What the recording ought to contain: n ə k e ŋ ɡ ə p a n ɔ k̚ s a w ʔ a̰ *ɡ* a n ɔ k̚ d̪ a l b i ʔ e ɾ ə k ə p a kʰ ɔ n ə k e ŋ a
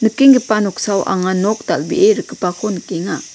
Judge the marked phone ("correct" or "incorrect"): incorrect